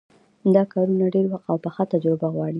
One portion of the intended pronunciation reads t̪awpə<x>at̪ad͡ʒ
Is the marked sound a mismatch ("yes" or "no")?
no